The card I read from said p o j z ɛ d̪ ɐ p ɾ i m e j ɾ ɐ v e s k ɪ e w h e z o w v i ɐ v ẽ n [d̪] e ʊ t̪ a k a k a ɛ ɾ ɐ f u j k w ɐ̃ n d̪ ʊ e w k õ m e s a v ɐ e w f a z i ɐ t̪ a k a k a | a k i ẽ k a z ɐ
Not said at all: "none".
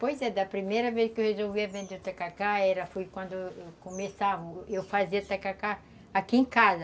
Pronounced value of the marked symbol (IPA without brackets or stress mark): d̪